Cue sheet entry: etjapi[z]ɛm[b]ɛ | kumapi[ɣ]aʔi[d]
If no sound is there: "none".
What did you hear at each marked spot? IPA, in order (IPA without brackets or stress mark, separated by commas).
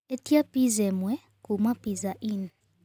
z, w, z, n